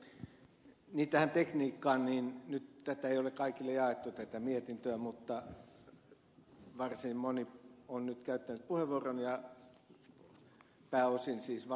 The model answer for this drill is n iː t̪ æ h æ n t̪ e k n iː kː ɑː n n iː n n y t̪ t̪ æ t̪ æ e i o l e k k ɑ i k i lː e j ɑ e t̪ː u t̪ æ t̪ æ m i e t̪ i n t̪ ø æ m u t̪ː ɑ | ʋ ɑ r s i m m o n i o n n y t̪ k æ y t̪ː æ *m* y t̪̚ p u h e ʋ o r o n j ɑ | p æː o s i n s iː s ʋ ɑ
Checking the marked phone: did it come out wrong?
yes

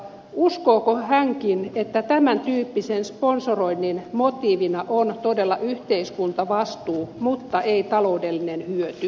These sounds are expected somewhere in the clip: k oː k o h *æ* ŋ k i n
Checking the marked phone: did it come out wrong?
no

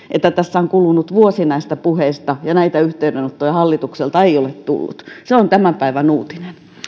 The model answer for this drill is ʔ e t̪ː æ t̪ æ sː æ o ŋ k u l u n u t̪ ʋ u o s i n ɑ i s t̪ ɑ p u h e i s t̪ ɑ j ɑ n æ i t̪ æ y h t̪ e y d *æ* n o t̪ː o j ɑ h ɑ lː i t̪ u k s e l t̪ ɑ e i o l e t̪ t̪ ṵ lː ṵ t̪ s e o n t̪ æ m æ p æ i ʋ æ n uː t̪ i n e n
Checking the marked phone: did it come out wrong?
yes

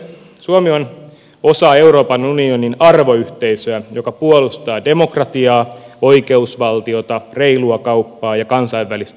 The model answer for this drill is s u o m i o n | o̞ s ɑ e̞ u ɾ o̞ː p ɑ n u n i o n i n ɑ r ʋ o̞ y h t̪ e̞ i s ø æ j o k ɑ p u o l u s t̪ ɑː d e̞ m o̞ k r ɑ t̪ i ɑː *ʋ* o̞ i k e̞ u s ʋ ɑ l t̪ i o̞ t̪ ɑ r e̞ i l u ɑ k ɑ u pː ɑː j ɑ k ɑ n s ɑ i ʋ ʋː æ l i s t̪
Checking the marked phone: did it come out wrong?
yes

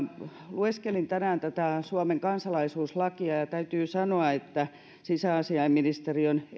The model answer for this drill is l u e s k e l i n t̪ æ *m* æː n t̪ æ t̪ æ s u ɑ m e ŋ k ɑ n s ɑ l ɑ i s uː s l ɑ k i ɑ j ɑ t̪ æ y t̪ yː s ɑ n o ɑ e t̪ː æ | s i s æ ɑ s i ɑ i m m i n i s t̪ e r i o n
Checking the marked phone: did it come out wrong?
yes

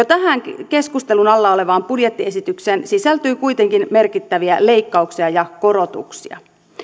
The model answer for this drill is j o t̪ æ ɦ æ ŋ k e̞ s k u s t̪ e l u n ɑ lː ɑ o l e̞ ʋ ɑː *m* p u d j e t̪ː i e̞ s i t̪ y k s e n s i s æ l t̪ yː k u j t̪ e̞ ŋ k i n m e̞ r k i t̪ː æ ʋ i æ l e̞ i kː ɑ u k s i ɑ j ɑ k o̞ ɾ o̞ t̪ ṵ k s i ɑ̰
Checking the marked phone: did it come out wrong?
no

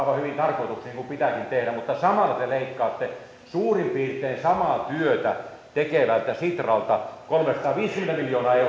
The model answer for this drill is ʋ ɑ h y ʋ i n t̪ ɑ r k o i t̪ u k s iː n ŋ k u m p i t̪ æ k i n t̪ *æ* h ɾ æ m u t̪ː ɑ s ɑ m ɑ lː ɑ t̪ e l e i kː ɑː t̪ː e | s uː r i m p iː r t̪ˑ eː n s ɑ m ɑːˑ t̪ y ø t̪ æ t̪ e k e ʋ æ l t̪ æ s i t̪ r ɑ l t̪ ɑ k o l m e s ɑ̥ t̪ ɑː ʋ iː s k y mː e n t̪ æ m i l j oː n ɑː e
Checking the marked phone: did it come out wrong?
yes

